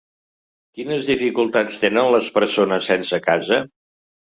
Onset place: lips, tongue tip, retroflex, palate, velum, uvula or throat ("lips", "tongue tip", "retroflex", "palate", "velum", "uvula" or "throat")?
velum